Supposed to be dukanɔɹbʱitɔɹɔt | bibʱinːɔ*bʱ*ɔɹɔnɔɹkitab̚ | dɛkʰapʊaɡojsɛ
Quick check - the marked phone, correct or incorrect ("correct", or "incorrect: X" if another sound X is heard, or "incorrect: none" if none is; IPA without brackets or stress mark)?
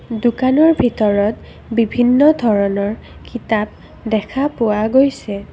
incorrect: dʱ